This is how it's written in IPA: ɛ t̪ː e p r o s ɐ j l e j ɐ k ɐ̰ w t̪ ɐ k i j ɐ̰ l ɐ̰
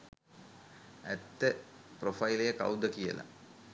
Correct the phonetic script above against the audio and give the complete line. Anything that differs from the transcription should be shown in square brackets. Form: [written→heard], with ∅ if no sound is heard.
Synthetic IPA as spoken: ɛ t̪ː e p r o [s→f] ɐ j l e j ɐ k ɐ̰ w [t̪→d̪] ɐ k i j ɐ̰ l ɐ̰